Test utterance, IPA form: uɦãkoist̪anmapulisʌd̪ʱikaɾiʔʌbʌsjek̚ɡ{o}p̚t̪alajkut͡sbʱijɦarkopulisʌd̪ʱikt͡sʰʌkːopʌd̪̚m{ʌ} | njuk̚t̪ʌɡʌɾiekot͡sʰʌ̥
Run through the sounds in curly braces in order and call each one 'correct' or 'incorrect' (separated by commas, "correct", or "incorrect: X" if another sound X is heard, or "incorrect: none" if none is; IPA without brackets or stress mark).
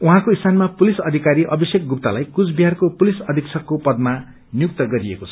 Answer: incorrect: u, incorrect: a